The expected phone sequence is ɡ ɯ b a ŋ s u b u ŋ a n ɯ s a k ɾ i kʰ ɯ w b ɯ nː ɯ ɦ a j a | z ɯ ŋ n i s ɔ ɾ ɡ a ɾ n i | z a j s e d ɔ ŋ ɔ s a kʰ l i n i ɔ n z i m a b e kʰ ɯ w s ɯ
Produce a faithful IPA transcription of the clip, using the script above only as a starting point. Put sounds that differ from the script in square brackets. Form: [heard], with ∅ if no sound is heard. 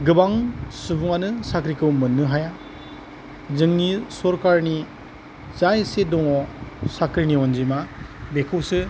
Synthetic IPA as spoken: ɡ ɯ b a ŋ s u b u ŋ a n ɯ s a k ɾ i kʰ ɯ w [m] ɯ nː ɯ ɦ a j a | z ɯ ŋ n i s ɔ ɾ [k] a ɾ n i | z a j s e d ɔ ŋ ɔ s a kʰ [ɾ] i n i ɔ n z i m a b e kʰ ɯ w s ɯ

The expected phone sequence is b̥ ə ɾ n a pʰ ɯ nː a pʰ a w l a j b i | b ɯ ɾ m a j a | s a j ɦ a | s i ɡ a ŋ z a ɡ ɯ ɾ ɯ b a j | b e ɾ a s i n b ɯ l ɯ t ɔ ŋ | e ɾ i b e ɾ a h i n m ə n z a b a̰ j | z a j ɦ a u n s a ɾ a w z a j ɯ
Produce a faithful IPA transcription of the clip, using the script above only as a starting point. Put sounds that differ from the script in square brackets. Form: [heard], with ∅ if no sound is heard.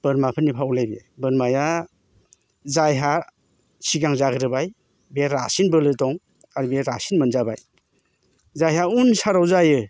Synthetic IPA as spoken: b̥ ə ɾ [m] a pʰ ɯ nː [i] pʰ a w l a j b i | b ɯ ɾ m a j a | [z] a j ɦ a | s i ɡ a ŋ z a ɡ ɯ ɾ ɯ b a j | b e ɾ a s i n b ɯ l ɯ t ɔ ŋ | [a] ɾ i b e ɾ a [s] i n m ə n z a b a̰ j | z a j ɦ a u n s a ɾ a w z a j ɯ

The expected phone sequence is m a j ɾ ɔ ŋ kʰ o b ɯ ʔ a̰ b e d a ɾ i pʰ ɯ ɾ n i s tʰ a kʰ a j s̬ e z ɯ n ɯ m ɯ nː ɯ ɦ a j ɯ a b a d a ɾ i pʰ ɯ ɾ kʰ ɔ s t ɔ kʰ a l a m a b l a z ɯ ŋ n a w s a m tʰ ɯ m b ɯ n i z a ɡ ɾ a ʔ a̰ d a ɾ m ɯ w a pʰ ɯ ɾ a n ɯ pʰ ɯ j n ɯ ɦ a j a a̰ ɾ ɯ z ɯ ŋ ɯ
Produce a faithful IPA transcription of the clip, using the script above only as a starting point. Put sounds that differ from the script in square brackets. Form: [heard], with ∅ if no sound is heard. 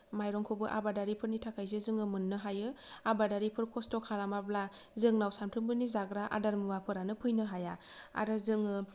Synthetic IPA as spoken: m a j ɾ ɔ ŋ kʰ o b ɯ ʔ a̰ b [a] d a ɾ i pʰ ɯ ɾ n i [∅] tʰ a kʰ a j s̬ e z ɯ [ŋ] ɯ m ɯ nː ɯ ɦ a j ɯ a b a d a ɾ i pʰ ɯ ɾ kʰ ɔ s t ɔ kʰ a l a m a b l a z ɯ ŋ n a w s a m tʰ ɯ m b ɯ n i z a ɡ ɾ a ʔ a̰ d a ɾ m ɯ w a pʰ ɯ ɾ a n ɯ pʰ ɯ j n ɯ ɦ a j a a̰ ɾ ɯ z ɯ ŋ ɯ

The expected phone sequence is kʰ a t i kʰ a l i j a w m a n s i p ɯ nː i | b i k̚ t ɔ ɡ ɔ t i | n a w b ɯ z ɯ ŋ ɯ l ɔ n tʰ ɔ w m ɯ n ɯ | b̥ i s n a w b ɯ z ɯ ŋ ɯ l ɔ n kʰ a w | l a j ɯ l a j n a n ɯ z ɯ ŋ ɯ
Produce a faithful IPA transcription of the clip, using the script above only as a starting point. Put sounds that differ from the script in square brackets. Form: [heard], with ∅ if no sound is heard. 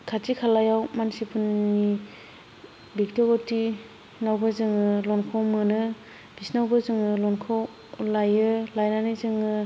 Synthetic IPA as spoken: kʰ a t i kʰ a l [a] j a w m a n s i p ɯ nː i | b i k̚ t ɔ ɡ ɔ t i | n a w b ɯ z ɯ ŋ ɯ l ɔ n [kʰ] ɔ w m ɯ n ɯ | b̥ i s n a w b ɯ z ɯ ŋ ɯ l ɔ n kʰ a w | l a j ɯ l a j n a n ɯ z ɯ ŋ ɯ

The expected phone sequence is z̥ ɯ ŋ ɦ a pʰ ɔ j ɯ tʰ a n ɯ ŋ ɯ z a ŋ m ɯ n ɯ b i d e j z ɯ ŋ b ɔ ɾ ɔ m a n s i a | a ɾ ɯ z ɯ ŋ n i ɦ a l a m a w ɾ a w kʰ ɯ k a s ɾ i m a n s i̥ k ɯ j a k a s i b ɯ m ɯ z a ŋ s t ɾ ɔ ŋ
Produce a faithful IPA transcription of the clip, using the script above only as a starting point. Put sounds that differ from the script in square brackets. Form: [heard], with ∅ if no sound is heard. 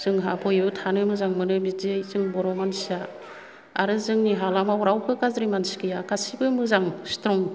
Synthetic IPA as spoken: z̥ ɯ ŋ ɦ a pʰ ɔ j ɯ tʰ a n ɯ [m] ɯ z a ŋ m ɯ n ɯ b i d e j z ɯ ŋ b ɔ ɾ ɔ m a n s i a | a ɾ ɯ z ɯ ŋ n i ɦ a l a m a w ɾ a w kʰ ɯ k a [z] ɾ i m a n s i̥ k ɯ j a k a s i b ɯ m ɯ z a ŋ s t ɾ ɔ ŋ

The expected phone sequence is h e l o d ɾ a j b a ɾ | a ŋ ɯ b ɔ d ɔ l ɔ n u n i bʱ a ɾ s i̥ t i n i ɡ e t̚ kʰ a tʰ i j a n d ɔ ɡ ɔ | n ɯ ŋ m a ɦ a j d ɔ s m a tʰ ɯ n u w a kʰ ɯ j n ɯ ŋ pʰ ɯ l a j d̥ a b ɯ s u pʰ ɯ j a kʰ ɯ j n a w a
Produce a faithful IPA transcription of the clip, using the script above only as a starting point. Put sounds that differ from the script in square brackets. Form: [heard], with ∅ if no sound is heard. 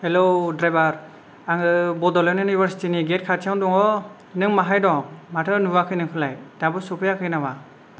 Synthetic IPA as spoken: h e l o d ɾ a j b a ɾ | a ŋ ɯ b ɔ d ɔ l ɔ n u n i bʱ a ɾ s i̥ t i n i ɡ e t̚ kʰ a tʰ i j a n d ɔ [ŋ] ɔ | n ɯ ŋ m a ɦ a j d ɔ [∅] m a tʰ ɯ n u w a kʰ ɯ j n ɯ ŋ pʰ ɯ l a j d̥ a b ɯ s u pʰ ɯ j a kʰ ɯ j n a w a

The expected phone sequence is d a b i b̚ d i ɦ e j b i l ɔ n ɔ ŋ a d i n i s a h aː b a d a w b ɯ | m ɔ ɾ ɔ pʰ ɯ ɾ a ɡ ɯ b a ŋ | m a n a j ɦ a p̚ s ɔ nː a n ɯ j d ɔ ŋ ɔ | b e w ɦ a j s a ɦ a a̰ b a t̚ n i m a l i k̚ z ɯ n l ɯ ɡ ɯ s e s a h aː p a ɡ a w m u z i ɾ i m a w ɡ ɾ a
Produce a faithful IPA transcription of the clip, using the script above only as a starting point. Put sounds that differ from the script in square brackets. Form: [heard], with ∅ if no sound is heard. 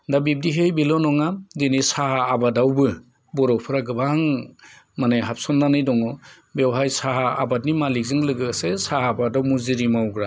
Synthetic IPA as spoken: d a b i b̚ d i ɦ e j b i l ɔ n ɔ ŋ a d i n i s a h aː b a d a w b ɯ | [b] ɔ ɾ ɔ pʰ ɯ ɾ a ɡ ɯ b a ŋ | m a n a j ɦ a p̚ s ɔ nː a n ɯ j d ɔ ŋ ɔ | b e w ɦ a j s a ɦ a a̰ b a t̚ n i m a l i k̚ z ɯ [ŋ] l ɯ ɡ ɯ s e s a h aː [b] a [d] a w m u z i ɾ i m a w ɡ ɾ a

